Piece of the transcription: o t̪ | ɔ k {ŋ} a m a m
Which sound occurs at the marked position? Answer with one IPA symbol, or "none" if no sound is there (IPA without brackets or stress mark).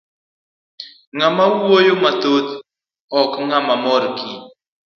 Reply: ŋ